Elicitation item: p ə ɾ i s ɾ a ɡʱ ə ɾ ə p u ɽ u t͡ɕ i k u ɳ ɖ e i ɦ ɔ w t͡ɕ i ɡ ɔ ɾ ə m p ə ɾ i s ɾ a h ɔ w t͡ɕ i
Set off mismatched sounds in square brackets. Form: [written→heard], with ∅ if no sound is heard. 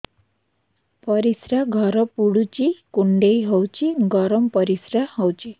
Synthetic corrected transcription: p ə ɾ i s ɾ a ɡʱ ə ɾ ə p u ɽ u t͡ɕ i k u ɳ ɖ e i ɦ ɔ w t͡ɕ i ɡ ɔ ɾ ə m p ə ɾ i s ɾ a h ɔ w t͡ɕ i